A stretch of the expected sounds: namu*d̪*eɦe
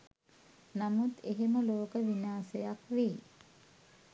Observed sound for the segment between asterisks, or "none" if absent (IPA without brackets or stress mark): t̪